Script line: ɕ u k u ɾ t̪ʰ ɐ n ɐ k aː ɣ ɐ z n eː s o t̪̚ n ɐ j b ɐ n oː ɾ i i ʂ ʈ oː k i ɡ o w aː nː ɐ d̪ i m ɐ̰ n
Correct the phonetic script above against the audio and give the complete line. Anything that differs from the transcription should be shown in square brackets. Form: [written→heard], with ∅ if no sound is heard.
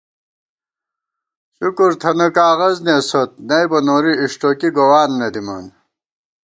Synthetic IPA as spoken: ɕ u k u ɾ t̪ʰ ɐ n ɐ k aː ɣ ɐ z n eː s o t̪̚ n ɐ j b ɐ n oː ɾ i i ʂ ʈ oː k i ɡ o w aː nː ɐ d̪ i m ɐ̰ n

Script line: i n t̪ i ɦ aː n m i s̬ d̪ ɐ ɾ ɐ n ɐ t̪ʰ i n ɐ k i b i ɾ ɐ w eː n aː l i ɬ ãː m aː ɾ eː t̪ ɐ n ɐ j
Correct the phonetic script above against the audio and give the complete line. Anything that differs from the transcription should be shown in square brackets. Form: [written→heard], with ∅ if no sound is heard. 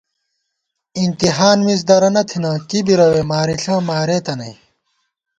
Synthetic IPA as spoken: i n t̪ i ɦ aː n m i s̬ d̪ ɐ ɾ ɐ n ɐ t̪ʰ i n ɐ k i b i ɾ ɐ w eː [n→m] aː [l→ɾ] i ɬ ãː m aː ɾ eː t̪ ɐ n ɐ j

